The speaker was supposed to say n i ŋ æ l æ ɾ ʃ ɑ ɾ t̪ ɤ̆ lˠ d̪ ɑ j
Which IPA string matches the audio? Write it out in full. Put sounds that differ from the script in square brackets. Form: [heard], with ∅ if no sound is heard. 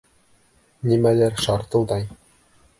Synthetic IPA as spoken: n i [m] æ l æ ɾ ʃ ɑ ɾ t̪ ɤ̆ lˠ d̪ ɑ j